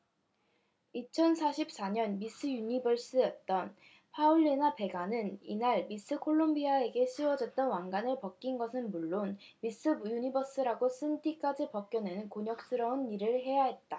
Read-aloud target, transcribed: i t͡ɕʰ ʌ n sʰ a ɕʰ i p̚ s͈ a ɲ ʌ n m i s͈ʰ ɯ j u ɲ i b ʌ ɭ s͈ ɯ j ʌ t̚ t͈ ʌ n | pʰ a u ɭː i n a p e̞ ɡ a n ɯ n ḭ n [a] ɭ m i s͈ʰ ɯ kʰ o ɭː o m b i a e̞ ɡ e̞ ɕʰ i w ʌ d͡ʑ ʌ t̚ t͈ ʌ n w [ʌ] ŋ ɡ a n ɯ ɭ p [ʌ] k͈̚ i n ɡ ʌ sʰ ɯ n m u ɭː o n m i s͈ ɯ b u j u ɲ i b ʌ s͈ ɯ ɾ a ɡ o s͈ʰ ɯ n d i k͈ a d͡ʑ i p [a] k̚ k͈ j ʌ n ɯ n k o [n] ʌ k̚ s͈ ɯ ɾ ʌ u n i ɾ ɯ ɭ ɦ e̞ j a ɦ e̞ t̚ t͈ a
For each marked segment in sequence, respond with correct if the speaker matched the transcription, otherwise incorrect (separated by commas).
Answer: correct, incorrect, correct, incorrect, incorrect